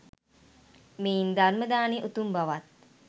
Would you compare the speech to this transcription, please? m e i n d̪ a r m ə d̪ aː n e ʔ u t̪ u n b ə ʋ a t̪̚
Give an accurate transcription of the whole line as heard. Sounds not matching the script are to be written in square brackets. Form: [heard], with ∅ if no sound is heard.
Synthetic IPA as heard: m e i n d̪ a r m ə d̪ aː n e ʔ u t̪ u [m] b [a] ʋ a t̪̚